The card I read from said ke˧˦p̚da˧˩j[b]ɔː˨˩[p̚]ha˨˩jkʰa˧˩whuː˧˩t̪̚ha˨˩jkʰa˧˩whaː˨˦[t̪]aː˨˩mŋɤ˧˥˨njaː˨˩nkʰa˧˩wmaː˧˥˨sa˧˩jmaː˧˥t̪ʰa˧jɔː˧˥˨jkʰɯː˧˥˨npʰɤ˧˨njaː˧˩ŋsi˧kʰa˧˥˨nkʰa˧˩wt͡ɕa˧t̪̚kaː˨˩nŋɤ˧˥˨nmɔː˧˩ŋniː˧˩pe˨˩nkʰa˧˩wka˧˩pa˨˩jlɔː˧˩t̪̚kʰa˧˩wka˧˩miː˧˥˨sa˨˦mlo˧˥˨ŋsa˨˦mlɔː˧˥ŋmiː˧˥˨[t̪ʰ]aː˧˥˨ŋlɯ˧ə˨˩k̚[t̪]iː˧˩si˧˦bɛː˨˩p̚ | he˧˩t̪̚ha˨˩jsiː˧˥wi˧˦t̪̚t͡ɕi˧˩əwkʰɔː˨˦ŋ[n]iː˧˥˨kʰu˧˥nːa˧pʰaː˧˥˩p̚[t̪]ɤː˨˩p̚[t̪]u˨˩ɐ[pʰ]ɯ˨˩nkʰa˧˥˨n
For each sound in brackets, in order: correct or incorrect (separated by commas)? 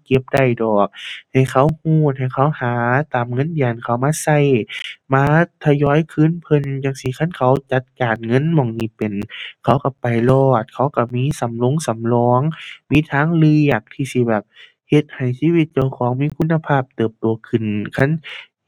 incorrect, incorrect, correct, correct, incorrect, incorrect, correct, correct, incorrect